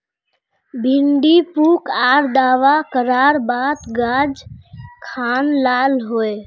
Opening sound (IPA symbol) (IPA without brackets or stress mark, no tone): bʱ